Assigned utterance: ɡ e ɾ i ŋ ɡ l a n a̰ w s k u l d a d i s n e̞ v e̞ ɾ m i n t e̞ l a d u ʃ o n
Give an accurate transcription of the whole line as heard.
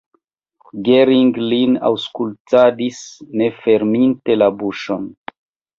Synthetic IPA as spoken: ɡ e ɾ i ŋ ɡ l i n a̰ w s k u l t a d i s n e̞ f e̞ ɾ m i n t e̞ l a b u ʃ o n